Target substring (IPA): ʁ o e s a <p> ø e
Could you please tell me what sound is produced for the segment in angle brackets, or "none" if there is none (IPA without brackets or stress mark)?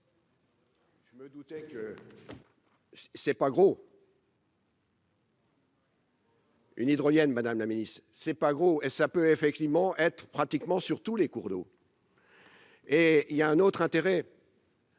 p